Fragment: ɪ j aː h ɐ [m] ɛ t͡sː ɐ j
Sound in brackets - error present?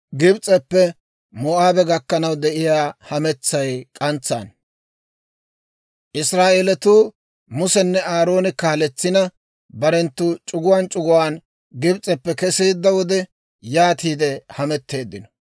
no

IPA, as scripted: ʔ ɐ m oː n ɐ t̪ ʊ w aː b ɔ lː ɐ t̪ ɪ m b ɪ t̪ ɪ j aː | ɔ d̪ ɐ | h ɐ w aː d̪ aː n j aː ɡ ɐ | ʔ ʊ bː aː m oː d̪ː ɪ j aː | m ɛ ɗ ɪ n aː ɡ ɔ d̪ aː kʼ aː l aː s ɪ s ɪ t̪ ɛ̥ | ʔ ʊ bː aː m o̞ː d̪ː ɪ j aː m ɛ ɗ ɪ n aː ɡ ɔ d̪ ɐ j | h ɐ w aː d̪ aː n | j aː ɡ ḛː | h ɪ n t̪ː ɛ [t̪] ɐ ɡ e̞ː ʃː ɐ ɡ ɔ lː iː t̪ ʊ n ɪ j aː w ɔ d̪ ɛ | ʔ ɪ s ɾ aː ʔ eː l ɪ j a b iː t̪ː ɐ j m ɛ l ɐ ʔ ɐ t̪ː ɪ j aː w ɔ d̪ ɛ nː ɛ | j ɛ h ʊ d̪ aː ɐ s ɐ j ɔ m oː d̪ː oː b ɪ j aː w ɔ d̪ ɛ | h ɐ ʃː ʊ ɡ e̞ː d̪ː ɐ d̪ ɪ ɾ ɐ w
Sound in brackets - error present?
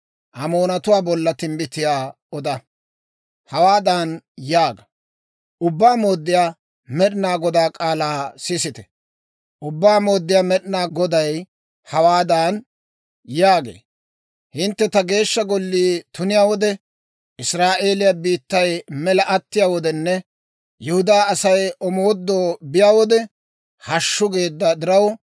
no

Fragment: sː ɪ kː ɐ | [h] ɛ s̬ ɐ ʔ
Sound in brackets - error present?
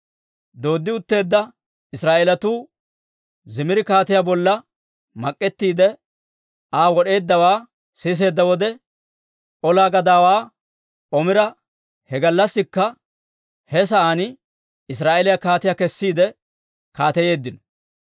no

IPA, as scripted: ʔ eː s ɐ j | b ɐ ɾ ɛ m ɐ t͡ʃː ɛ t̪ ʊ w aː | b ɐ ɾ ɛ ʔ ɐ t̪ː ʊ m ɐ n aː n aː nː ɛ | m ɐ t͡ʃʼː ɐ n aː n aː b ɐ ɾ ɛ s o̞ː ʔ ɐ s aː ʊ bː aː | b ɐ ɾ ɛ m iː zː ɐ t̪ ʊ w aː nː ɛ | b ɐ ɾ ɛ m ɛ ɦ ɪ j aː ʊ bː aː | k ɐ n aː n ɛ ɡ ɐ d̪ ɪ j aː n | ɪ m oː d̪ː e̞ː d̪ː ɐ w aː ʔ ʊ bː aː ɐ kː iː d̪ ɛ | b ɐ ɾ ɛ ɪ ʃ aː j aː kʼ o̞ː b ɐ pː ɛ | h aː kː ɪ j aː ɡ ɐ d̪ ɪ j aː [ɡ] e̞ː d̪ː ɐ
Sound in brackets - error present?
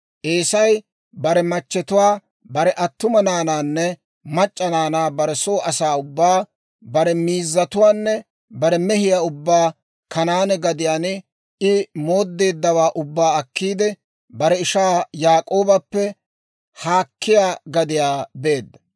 yes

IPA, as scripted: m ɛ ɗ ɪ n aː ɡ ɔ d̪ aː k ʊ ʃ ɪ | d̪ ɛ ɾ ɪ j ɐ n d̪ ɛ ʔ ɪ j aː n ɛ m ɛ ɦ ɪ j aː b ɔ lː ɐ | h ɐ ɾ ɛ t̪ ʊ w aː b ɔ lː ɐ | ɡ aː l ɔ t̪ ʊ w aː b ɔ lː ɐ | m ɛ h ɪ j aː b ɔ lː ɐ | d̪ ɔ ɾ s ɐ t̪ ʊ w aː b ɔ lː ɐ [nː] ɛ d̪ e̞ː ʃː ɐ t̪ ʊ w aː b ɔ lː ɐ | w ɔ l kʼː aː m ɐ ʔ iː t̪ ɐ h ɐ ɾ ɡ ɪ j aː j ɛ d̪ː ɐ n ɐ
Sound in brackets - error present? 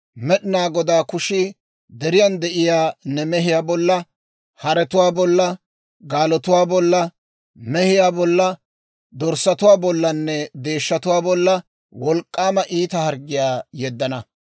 no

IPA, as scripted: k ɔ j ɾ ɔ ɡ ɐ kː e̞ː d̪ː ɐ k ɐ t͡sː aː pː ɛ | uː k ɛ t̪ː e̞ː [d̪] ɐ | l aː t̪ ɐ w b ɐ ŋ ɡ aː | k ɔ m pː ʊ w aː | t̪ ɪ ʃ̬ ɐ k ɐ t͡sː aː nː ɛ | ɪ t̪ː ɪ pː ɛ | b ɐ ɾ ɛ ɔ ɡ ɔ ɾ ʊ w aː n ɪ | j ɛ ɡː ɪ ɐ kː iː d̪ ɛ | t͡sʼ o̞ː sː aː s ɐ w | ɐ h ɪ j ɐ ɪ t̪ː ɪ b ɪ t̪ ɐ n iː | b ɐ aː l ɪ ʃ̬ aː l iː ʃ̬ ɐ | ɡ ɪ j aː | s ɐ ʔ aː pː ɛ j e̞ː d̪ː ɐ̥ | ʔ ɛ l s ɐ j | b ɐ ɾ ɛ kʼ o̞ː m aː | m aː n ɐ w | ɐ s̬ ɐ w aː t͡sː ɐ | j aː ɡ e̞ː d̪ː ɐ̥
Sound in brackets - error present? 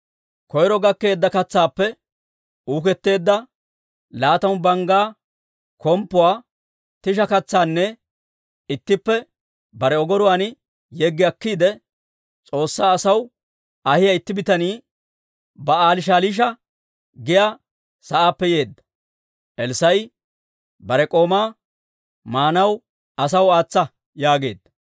yes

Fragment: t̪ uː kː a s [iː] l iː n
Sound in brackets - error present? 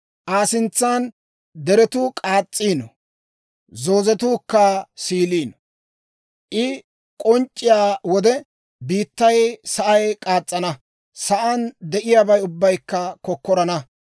no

